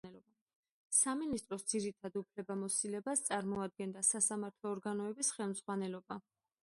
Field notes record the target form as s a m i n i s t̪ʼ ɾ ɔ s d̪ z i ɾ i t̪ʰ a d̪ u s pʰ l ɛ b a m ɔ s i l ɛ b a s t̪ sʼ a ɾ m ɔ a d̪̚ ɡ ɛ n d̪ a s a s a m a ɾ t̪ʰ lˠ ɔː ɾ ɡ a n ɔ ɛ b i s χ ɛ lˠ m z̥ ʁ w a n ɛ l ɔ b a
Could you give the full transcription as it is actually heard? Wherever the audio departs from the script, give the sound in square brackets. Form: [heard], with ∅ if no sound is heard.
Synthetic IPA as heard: s a m i n i s t̪ʼ ɾ ɔ s d̪ z i ɾ i t̪ʰ a d̪ u [∅] pʰ l ɛ b a m ɔ s i l ɛ b a s t̪ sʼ a ɾ m ɔ a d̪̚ ɡ ɛ n d̪ a s a s a m a ɾ t̪ʰ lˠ ɔː ɾ ɡ a n ɔ ɛ b i s χ ɛ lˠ m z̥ ʁ w a n ɛ l ɔ b a